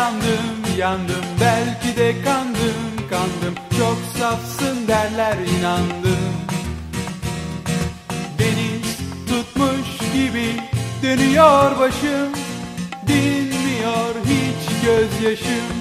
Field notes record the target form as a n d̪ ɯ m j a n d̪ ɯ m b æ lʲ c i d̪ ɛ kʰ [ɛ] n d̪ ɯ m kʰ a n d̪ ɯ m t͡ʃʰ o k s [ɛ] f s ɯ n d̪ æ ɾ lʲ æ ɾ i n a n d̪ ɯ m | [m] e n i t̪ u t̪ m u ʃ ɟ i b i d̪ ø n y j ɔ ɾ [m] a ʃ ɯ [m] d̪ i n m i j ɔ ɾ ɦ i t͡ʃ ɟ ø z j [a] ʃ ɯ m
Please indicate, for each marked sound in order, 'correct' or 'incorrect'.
incorrect: a, incorrect: a, incorrect: b, incorrect: b, correct, correct

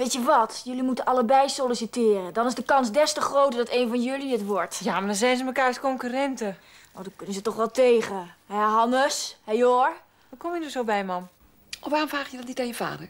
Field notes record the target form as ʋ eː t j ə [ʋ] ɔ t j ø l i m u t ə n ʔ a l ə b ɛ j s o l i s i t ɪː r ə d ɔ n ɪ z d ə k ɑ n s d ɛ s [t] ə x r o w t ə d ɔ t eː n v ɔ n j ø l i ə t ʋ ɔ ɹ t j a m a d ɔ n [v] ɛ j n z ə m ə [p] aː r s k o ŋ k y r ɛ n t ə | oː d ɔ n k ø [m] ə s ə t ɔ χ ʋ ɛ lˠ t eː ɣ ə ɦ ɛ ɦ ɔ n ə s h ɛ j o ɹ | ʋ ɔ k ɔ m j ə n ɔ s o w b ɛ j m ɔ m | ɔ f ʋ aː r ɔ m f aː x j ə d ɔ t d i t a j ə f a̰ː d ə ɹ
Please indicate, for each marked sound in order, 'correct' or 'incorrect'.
correct, correct, incorrect: z, incorrect: k, incorrect: n

